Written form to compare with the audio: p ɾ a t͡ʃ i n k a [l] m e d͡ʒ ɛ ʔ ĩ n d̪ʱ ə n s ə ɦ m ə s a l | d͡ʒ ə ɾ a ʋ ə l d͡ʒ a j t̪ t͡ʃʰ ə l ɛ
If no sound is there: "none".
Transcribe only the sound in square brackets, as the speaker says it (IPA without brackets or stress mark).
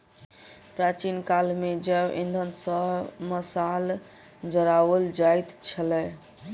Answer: l